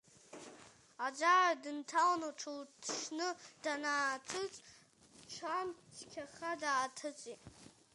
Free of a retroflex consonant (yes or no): no